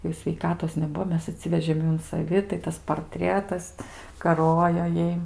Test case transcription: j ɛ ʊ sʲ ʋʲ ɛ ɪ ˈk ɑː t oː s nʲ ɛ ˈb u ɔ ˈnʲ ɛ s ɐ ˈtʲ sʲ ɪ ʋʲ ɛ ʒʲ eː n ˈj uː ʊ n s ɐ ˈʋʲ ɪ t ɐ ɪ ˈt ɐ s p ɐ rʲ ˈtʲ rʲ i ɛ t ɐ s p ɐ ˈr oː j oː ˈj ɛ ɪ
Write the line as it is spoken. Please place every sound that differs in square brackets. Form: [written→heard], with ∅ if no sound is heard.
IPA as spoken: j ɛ ʊ sʲ ʋʲ ɛ ɪ ˈk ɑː t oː s nʲ ɛ ˈb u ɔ [ˈnʲ→ˈmʲ] ɛ s ɐ ˈtʲ sʲ ɪ ʋʲ ɛ ʒʲ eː [n→m] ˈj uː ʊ n s ɐ ˈʋʲ ɪ t ɐ ɪ ˈt ɐ s p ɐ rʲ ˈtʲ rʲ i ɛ t ɐ s [p→k] ɐ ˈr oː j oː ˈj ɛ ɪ